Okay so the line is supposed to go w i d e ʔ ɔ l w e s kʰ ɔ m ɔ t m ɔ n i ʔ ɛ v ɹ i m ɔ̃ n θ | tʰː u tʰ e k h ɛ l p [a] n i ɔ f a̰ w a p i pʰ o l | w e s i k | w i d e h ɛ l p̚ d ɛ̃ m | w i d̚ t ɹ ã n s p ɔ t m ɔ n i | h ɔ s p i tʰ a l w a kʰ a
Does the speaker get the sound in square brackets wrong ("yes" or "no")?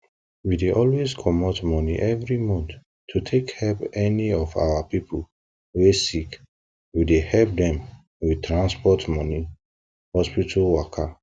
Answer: yes